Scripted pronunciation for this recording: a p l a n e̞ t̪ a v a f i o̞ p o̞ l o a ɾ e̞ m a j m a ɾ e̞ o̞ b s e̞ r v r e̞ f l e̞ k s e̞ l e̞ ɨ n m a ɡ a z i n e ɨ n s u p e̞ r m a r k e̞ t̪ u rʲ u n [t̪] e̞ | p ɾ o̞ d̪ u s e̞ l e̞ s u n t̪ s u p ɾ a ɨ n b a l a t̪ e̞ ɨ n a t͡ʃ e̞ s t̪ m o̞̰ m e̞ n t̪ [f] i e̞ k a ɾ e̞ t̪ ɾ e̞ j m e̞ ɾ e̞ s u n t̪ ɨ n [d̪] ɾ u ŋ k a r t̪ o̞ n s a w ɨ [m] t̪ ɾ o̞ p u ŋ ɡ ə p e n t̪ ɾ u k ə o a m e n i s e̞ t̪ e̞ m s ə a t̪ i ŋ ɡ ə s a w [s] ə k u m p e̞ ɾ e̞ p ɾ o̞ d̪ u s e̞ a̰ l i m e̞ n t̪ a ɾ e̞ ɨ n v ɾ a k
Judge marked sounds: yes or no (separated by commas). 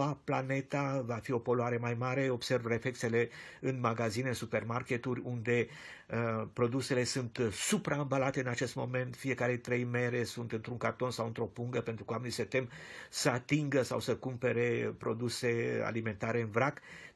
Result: no, yes, no, no, yes